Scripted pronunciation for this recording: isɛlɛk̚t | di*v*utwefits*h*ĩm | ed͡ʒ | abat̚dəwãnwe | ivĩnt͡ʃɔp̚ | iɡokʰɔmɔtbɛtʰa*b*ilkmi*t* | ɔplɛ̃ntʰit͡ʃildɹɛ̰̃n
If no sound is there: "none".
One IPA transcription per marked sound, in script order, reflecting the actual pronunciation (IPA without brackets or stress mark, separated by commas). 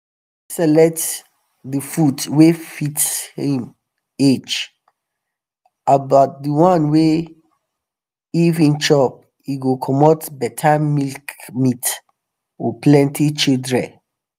f, h, m, t